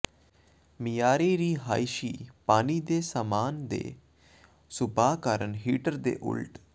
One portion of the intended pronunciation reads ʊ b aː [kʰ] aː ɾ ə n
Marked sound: incorrect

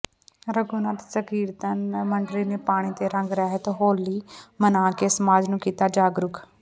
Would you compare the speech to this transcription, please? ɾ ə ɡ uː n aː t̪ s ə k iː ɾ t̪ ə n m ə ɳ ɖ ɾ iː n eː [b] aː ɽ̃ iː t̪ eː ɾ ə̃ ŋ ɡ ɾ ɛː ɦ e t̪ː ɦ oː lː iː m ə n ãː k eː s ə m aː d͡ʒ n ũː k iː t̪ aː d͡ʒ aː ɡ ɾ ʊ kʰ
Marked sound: incorrect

